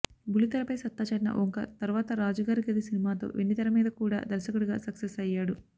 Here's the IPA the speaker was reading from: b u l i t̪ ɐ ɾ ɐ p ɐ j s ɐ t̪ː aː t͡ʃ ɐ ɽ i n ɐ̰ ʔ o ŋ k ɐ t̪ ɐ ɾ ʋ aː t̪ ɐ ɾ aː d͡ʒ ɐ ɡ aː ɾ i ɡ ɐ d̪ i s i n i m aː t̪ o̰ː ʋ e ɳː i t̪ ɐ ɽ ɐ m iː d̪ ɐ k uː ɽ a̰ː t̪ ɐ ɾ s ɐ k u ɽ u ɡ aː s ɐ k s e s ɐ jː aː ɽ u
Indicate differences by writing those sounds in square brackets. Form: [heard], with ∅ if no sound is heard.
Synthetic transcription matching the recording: b u l i t̪ ɐ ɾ ɐ p ɐ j s ɐ t̪ː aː t͡ʃ ɐ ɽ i n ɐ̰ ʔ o ŋ k ɐ t̪ ɐ ɾ ʋ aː t̪ ɐ ɾ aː d͡ʒ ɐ ɡ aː ɾ i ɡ ɐ d̪ i s i n i m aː t̪ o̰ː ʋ e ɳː i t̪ ɐ [ɾ] ɐ m iː d̪ ɐ k uː ɽ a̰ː [d̪] ɐ ɾ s ɐ k u ɽ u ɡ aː s ɐ k s e s ɐ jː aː ɽ u